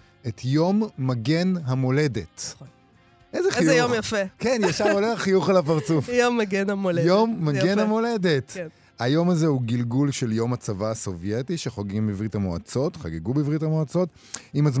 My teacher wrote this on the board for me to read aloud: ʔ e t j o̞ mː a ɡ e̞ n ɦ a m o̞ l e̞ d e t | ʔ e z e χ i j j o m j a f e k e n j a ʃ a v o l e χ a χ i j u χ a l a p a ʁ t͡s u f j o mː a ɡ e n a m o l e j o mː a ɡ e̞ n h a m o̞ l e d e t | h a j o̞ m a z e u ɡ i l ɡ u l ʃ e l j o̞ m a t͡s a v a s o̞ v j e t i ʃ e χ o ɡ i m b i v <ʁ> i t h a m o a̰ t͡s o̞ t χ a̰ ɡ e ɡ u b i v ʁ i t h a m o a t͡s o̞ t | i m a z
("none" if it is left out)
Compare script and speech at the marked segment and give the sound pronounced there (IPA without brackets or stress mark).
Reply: ʁ